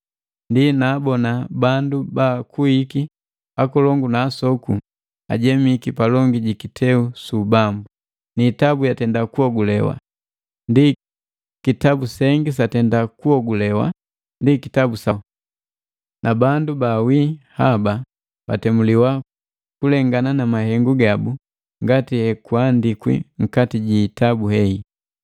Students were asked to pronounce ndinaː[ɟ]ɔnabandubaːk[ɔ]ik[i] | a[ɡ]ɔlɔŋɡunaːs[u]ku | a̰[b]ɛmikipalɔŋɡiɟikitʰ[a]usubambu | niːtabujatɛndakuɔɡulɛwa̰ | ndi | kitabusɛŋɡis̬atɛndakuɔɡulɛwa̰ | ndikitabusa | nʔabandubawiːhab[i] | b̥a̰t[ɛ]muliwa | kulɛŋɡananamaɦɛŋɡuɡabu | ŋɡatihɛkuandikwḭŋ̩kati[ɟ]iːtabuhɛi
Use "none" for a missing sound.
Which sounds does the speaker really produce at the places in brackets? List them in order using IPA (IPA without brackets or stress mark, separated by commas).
b, u, i, k, ɔ, ɟ, ɛ, a, ɛ, ɟ